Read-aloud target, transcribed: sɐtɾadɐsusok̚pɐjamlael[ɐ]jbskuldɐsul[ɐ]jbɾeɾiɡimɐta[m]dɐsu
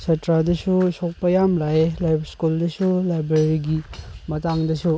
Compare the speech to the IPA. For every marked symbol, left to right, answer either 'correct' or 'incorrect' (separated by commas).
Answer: incorrect, incorrect, incorrect